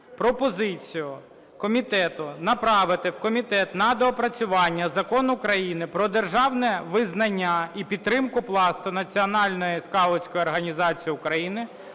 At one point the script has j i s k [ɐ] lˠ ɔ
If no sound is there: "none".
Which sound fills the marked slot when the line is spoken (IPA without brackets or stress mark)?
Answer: ɑ